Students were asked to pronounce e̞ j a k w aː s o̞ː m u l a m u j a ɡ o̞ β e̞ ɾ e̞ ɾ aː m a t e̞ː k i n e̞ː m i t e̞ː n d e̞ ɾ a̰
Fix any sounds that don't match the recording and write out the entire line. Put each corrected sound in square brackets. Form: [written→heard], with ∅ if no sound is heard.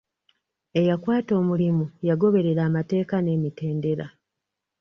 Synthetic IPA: e̞ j a k w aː [s→t] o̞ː m u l [a→i] m u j a ɡ o̞ β e̞ ɾ e̞ ɾ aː m a t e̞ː k [i→a] n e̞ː m i t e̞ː n d e̞ ɾ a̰